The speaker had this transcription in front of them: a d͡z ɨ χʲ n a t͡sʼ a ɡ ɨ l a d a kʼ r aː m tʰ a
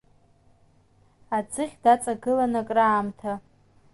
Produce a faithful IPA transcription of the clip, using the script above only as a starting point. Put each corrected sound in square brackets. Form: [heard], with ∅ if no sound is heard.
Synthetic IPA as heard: a d͡z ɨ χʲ [d] a t͡sʼ a ɡ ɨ l a [n] a kʼ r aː m tʰ a